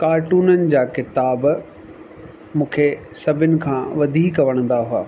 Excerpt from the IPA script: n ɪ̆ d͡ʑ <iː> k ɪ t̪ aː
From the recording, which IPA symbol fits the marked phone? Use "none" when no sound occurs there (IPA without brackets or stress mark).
aː